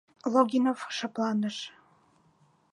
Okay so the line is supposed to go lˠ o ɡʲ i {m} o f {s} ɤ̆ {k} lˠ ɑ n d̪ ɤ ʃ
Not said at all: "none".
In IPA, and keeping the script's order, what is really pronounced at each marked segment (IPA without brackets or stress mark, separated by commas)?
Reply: n, ʃ, p